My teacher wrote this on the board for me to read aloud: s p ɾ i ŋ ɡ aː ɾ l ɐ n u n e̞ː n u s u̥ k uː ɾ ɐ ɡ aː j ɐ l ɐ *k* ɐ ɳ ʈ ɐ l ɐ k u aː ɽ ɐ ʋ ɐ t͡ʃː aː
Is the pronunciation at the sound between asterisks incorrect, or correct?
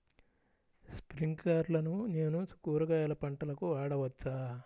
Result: incorrect